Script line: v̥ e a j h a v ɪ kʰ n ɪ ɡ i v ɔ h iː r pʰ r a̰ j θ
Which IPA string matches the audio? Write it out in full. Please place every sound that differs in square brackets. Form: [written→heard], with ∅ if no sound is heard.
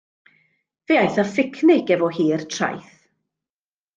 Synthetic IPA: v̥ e a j [h→θ] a [v→f] ɪ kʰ n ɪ ɡ [i→ɛ] v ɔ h iː r [pʰ→tʰ] r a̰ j θ